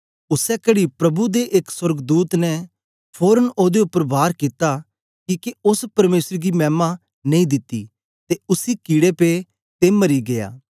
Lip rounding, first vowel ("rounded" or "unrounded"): rounded